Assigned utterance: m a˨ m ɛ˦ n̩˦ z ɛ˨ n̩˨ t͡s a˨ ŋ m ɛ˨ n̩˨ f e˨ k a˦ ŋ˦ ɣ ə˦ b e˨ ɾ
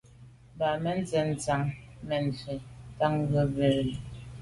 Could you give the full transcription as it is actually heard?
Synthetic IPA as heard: b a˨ m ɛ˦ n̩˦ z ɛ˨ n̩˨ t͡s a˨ ŋ m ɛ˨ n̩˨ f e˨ t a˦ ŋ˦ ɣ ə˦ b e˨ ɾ